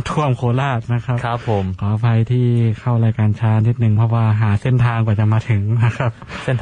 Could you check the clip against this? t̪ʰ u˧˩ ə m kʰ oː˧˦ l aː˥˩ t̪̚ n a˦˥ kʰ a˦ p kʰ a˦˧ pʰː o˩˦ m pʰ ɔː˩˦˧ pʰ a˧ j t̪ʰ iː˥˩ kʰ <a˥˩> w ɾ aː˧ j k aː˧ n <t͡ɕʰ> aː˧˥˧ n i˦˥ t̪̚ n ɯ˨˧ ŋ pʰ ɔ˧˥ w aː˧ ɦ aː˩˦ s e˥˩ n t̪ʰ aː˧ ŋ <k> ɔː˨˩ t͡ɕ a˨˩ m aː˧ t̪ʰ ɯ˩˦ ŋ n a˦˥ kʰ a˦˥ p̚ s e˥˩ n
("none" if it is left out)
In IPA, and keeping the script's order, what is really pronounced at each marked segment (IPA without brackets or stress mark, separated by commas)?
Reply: a˥˩, t͡ɕʰ, k